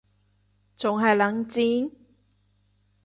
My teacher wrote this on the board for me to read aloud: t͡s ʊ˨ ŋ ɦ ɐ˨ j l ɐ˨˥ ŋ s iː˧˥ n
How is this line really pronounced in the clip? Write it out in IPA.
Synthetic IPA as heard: t͡s ʊ˨ ŋ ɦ ɐ˨ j l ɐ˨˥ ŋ t͡s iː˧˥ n